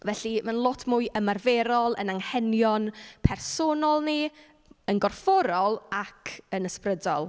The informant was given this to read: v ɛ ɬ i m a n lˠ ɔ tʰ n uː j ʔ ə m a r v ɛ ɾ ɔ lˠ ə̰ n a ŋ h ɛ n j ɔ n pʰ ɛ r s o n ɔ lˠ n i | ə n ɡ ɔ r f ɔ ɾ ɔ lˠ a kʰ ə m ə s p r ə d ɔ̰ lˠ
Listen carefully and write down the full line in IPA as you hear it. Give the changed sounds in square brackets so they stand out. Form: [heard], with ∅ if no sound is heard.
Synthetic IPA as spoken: v ɛ ɬ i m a n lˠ ɔ tʰ [m] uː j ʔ ə m a r v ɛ ɾ ɔ lˠ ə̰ n a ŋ h ɛ n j ɔ n pʰ ɛ r s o n ɔ lˠ n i | ə n ɡ ɔ r f ɔ ɾ ɔ lˠ a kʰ ə [n] ə s p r ə d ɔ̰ lˠ